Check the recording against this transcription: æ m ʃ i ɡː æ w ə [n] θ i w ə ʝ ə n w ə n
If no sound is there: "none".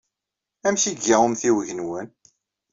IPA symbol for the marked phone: m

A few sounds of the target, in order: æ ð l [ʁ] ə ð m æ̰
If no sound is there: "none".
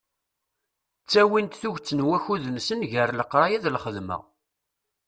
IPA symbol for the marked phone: χ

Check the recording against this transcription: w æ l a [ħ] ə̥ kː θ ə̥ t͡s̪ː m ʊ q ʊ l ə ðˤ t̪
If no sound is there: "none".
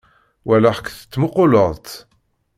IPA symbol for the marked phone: ħ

